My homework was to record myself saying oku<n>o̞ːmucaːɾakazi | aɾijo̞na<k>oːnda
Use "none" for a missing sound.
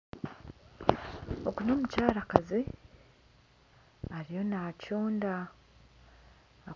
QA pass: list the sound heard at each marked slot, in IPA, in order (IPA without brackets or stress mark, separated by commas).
n, c